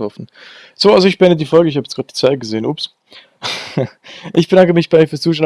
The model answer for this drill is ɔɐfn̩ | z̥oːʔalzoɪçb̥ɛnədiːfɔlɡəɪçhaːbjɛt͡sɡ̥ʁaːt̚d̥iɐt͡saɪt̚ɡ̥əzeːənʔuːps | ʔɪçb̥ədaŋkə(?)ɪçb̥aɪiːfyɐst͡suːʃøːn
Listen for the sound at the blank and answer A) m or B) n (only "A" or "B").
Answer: A